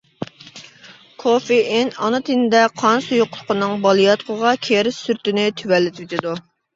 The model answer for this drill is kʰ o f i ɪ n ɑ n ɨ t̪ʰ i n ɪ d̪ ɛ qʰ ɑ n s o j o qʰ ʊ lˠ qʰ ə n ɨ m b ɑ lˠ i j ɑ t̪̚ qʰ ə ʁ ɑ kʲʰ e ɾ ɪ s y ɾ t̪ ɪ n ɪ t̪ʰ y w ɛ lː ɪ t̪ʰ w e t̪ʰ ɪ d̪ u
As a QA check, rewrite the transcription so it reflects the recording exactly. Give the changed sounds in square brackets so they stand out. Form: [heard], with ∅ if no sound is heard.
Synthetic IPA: kʰ o f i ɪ n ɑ n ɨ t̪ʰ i n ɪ d̪ ɛ qʰ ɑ n s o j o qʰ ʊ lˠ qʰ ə n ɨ [ŋ] b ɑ lˠ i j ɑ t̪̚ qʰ ə ʁ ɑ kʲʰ e ɾ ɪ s y ɾ t̪ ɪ n ɪ t̪ʰ y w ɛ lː ɪ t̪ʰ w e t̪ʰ ɪ d̪ u